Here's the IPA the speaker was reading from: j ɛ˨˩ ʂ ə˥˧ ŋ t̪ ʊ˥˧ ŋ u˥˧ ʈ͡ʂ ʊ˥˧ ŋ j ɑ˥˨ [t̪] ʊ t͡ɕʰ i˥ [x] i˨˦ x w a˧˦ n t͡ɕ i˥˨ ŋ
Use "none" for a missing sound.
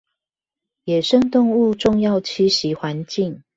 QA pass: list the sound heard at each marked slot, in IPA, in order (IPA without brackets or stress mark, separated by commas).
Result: none, ɕ